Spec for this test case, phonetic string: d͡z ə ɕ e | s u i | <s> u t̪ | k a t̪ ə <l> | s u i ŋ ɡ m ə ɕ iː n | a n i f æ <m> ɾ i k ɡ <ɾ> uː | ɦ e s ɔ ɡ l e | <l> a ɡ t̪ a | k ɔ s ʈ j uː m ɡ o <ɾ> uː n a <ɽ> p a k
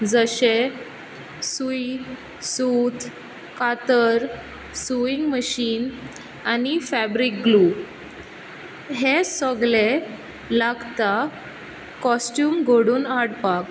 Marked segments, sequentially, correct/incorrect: correct, incorrect: ɾ, incorrect: b, incorrect: l, correct, incorrect: ɽ, correct

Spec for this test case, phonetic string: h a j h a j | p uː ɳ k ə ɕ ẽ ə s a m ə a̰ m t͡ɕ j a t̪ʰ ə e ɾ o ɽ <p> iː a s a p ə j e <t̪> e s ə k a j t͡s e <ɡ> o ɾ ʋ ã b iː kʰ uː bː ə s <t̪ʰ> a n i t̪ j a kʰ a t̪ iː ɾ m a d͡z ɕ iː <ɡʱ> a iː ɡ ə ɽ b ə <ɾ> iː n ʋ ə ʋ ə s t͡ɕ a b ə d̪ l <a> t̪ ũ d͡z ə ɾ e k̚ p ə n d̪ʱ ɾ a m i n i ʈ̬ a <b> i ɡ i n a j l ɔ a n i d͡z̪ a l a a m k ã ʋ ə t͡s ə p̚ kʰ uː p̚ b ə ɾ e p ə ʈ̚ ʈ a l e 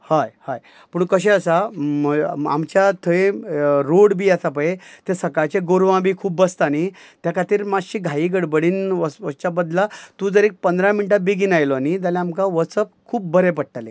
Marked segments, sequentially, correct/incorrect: incorrect: b, correct, correct, incorrect: t̪, correct, incorrect: ɽ, correct, correct

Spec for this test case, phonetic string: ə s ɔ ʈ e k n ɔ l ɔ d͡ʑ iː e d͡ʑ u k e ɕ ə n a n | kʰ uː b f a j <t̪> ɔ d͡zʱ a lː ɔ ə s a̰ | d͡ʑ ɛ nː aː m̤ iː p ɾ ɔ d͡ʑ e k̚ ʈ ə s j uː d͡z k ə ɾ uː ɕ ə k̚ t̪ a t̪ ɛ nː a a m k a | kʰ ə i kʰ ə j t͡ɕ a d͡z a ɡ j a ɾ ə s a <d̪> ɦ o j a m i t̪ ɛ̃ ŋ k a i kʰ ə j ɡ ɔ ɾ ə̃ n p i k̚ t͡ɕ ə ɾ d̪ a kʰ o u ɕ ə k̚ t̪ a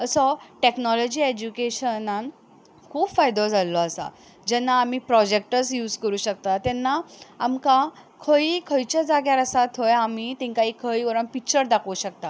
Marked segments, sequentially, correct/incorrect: incorrect: d̪, incorrect: t̪

